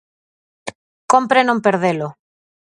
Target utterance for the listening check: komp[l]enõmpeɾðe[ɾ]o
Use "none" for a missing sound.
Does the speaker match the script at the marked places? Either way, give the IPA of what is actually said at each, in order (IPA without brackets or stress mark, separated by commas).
ɾ, l